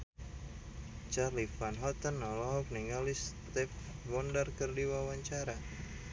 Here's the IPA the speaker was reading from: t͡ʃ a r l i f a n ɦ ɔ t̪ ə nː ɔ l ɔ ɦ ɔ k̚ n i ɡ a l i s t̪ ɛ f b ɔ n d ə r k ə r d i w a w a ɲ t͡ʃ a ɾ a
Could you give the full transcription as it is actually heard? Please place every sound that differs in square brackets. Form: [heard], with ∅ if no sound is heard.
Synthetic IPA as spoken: t͡ʃ a r l i f a n ɦ ɔ t̪ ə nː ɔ l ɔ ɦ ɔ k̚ n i [ŋ] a l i s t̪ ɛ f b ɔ n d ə r k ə r d i w a w a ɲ t͡ʃ a ɾ a